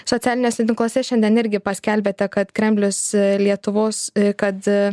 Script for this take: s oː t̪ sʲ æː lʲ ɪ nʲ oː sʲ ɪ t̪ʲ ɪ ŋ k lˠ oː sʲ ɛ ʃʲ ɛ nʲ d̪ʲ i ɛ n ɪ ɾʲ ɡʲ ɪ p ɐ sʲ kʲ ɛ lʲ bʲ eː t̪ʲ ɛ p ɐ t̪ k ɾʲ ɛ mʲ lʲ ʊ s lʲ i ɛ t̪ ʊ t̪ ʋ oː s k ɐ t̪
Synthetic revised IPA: s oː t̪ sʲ æː lʲ ɪ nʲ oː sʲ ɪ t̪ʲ ɪ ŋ k lˠ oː sʲ ɛ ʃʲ ɛ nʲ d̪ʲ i ɛ n ɪ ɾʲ ɡʲ ɪ p ɐ sʲ kʲ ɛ lʲ bʲ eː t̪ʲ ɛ k ɐ t̪ k ɾʲ ɛ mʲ lʲ ʊ s lʲ i ɛ t̪ ʊ ʋ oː s k ɐ t̪